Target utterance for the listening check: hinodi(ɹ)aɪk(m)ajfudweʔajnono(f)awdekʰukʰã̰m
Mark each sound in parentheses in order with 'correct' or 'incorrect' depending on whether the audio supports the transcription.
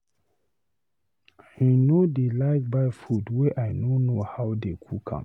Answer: incorrect: l, incorrect: b, incorrect: h

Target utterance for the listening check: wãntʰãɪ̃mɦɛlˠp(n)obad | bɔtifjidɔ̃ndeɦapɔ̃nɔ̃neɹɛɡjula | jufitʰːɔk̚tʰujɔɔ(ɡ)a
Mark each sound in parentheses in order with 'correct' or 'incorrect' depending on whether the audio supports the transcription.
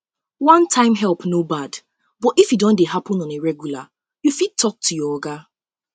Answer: correct, correct

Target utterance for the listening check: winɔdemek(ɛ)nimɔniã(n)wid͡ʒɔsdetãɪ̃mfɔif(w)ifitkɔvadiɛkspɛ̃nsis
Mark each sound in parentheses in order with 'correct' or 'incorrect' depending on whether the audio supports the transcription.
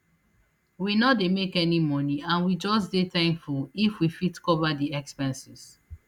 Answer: correct, correct, correct

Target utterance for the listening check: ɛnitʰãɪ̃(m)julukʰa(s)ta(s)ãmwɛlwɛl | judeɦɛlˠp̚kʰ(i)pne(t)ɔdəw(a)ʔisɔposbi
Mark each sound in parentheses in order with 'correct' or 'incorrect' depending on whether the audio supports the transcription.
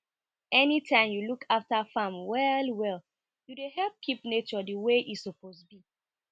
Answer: correct, incorrect: f, incorrect: f, correct, incorrect: t͡ʃ, incorrect: e

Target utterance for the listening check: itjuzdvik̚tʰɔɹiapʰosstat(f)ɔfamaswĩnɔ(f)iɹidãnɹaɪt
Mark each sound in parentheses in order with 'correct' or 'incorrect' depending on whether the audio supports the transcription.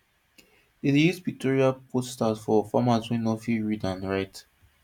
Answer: correct, correct

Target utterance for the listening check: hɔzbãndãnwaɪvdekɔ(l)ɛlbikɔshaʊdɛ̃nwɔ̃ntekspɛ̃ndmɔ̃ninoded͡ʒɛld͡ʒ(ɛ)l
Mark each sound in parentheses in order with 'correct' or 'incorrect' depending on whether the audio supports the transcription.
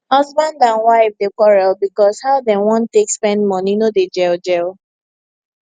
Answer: incorrect: ɹ, correct

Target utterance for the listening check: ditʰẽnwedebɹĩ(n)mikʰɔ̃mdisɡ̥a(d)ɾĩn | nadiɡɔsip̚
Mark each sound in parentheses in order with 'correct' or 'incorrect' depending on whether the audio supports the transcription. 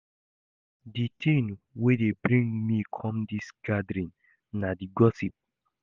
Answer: incorrect: ŋ, correct

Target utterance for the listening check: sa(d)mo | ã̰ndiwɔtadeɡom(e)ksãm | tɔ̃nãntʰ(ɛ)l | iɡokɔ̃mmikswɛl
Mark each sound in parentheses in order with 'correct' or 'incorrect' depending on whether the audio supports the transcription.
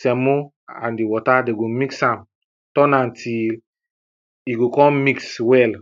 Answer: incorrect: none, incorrect: i, incorrect: i

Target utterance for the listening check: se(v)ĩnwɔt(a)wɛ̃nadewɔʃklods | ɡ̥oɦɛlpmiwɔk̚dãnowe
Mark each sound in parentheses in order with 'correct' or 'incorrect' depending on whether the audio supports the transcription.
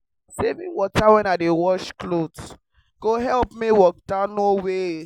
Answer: correct, correct

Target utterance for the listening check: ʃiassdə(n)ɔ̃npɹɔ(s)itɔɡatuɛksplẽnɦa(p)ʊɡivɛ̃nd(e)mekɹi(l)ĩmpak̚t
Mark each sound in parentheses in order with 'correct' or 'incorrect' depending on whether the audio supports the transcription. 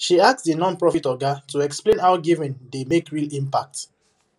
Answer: correct, incorrect: f, incorrect: none, correct, correct

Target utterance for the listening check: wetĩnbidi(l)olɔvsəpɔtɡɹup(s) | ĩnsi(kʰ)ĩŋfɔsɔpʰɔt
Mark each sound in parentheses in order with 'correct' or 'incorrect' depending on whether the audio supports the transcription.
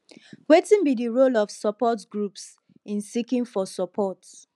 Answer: incorrect: ɹ, correct, incorrect: k

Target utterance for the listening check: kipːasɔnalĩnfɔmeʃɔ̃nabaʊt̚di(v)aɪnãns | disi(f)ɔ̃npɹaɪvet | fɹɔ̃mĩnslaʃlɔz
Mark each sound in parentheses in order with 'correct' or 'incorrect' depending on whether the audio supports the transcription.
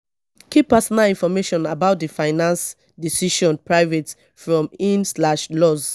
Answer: incorrect: f, incorrect: ʃ

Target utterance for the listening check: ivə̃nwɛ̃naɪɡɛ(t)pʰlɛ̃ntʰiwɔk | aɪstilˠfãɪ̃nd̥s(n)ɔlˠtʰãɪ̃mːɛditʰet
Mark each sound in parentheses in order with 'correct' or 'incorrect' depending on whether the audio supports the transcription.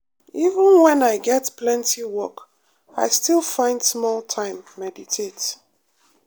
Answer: correct, incorrect: m

